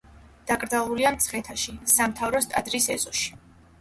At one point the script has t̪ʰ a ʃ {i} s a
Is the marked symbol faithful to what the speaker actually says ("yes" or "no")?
yes